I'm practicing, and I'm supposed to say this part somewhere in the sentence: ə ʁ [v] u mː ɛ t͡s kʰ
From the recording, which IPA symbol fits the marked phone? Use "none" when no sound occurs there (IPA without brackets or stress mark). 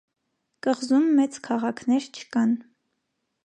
z